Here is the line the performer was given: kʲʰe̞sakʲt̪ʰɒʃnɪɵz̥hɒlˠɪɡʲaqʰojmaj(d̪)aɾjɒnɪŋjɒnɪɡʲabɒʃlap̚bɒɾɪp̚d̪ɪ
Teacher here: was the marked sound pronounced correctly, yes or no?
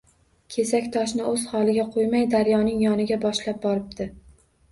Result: yes